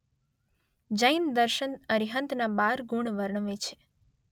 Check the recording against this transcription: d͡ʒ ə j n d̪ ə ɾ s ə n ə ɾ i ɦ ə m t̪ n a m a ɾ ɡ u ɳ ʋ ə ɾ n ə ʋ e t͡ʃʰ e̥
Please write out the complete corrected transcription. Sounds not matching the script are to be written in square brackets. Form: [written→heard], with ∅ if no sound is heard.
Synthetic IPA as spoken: d͡ʒ ə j n d̪ ə ɾ [s→ʃ] ə n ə ɾ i ɦ ə [m→n] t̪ n a [m→b] a ɾ ɡ u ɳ ʋ ə ɾ [n→ɳ] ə ʋ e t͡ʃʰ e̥

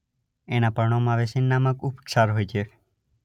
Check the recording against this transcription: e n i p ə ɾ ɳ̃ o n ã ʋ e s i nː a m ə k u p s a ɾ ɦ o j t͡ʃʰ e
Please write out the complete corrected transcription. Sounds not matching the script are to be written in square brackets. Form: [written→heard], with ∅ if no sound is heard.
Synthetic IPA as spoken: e n [i→a] p ə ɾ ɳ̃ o [n→m] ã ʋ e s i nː a m ə k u p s a ɾ ɦ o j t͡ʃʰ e

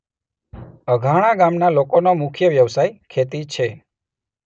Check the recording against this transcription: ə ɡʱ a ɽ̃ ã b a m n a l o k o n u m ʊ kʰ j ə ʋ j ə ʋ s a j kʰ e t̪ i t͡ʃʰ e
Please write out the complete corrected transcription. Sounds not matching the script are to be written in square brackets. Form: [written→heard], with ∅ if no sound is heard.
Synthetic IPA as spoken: ə ɡʱ a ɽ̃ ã [b→ɡ] a m n a l o k o n [u→o] m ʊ kʰ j ə ʋ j ə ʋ s a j kʰ e t̪ i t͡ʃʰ e

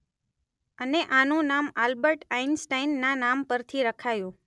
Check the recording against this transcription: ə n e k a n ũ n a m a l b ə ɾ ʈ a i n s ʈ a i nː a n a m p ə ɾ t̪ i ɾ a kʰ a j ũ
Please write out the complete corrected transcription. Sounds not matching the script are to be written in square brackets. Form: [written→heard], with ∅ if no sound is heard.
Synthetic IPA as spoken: ə n e [k→ʔ] a n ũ n a m a l b ə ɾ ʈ a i n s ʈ a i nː a n a m p ə ɾ [t̪→t̪ʰ] i ɾ [a→ə] kʰ a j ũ

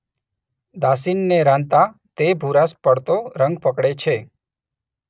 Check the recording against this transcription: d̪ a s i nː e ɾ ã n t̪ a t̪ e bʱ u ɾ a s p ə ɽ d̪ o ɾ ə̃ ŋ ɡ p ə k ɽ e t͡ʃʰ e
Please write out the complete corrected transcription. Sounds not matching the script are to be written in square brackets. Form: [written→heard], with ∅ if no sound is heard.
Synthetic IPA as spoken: d̪ a s i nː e ɾ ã n t̪ a t̪ e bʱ u ɾ a s p ə ɽ [d̪→t̪] o ɾ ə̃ ŋ ɡ p ə k ɽ e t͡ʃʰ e

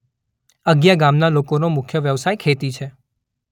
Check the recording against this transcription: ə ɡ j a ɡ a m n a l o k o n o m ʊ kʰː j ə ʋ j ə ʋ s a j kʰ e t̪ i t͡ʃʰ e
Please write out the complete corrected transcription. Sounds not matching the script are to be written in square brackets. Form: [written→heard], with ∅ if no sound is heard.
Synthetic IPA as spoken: ə ɡ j a ɡ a m n a l o k o n o m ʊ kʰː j ə ʋ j ə ʋ s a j kʰ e t̪ i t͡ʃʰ e

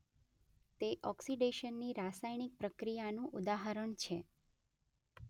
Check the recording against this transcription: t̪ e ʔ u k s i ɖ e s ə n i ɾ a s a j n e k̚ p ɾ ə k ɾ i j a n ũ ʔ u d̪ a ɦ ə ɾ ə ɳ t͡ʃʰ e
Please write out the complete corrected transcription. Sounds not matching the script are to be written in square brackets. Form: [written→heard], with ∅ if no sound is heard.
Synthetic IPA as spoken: t̪ e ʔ [u→ɔ] k s i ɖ e [s→ʃ] ə [n→nː] i ɾ a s a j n [e→i] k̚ p ɾ ə k ɾ i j a n ũ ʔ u d̪ a ɦ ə ɾ ə ɳ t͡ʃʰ e

